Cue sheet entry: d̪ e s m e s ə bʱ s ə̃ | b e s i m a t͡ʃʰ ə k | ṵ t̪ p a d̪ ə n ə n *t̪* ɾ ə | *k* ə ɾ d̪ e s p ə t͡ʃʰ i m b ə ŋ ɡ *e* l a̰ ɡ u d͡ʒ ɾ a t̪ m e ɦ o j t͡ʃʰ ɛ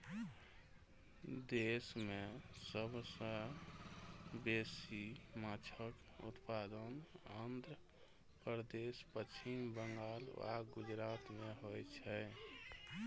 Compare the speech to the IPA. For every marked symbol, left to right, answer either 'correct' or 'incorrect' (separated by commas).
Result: incorrect, incorrect, incorrect